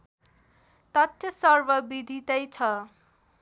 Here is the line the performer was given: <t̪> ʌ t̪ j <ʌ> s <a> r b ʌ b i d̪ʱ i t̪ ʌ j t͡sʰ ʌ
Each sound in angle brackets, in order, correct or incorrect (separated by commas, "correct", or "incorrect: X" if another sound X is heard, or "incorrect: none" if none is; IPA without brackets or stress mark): correct, correct, incorrect: ʌ